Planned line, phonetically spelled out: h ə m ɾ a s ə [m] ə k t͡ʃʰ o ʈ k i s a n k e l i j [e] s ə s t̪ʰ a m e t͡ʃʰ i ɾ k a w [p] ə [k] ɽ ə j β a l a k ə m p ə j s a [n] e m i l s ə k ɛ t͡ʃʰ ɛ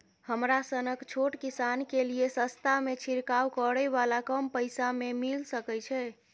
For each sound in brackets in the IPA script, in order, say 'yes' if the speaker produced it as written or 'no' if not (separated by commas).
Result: no, yes, no, no, no